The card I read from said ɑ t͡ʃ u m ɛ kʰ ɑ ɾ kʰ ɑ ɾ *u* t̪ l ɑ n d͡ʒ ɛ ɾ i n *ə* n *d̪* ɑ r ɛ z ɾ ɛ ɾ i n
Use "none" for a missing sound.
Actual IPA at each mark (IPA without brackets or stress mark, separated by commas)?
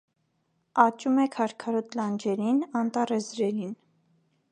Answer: ɔ, ɑ, t̪